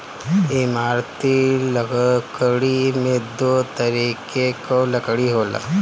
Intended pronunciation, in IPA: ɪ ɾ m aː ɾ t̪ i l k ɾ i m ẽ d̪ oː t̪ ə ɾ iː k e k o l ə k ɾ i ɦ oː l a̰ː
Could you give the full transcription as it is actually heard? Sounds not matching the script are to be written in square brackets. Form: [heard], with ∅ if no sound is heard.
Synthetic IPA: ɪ [∅] m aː ɾ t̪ i l k [ɽ] i m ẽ d̪ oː t̪ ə ɾ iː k e k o l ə k [ɽ] i ɦ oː l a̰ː